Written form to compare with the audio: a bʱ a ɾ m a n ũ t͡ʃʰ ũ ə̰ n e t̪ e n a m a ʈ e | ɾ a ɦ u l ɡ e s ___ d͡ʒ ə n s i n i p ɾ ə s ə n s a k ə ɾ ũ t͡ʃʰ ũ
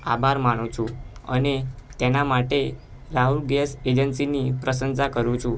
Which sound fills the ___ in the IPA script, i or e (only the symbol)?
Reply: e